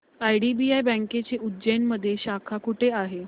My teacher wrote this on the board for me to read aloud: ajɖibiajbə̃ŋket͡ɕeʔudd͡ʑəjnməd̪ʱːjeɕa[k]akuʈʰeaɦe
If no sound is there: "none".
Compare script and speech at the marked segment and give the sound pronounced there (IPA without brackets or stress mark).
kʰ